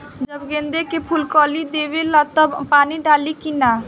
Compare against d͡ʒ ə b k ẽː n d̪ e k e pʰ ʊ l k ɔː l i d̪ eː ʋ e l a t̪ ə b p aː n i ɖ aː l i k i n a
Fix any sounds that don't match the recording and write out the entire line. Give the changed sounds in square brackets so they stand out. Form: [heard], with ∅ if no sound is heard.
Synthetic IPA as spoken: d͡ʒ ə b [ɡ] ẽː n d̪ e k e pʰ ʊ l k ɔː l i d̪ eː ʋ e l a t̪ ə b p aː n i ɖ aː l i k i n a